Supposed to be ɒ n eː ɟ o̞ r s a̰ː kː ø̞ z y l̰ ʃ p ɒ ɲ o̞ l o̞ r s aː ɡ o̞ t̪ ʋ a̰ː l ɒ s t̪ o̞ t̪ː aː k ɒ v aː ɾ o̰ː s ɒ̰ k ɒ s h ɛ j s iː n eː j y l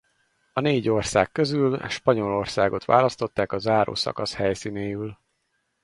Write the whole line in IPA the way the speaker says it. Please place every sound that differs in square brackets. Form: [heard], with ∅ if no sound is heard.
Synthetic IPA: ɒ n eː ɟ o̞ r s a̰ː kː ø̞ z y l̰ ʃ p ɒ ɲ o̞ l o̞ r s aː ɡ o̞ t̪ ʋ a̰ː l ɒ s t̪ o̞ t̪ː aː k ɒ [z] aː ɾ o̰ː s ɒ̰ k ɒ s h ɛ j s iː n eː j y l